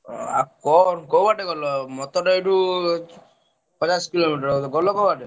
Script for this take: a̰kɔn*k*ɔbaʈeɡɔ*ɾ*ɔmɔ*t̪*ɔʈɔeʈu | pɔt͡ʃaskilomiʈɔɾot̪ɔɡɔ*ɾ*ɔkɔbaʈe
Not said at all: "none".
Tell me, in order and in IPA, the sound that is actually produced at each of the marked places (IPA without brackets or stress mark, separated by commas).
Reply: k, l, t̪, l